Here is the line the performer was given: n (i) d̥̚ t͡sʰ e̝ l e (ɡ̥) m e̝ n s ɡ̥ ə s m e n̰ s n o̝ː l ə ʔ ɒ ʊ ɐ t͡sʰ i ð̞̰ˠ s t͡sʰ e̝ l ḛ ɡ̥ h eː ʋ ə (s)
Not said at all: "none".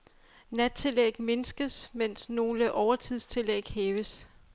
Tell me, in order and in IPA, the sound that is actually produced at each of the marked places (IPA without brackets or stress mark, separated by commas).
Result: æ, ɡ̥, s